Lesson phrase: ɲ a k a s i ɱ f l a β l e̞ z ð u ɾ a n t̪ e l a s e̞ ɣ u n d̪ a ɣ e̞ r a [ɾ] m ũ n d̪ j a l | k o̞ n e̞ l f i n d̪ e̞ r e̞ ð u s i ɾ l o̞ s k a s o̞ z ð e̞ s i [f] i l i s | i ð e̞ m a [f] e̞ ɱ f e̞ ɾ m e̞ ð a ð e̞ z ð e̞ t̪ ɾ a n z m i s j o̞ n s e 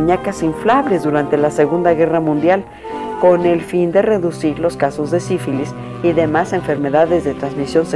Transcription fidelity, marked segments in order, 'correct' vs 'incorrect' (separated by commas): incorrect, correct, incorrect